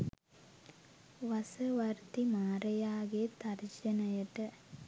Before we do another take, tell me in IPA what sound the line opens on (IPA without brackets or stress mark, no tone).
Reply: ʋ